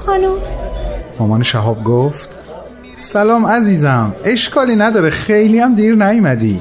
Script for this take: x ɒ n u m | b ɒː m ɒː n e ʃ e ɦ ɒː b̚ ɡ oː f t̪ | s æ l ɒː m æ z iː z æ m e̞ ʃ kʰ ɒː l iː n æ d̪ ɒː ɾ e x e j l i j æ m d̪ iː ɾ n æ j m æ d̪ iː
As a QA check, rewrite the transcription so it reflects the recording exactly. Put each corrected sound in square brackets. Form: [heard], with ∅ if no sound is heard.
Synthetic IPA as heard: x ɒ n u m | [m] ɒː m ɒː n e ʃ [æ] ɦ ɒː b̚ ɡ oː f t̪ | s æ l ɒː m æ z iː z æ m e̞ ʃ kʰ ɒː l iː n æ d̪ ɒː ɾ e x e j l i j æ m d̪ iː ɾ n æ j m æ d̪ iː